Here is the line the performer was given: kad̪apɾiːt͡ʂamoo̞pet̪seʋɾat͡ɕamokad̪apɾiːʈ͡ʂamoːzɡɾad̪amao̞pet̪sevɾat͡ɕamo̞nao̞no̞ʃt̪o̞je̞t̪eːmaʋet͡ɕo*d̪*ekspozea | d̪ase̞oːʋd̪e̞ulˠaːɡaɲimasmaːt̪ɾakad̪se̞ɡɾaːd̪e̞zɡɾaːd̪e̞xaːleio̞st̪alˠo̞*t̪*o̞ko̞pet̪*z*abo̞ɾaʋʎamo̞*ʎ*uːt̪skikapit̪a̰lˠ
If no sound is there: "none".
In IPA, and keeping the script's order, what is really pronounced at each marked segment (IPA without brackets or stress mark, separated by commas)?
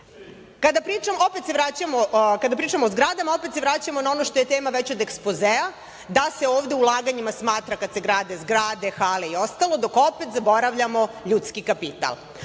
d̪, d̪, z, ʎ